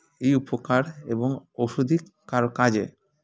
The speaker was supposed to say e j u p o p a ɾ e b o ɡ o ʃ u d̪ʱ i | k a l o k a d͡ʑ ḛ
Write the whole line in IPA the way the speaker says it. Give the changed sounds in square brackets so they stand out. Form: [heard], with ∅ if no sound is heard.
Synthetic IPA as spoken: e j u p o [k] a ɾ e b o [ŋ] o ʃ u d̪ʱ i | k a [ɾ] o k a d͡ʑ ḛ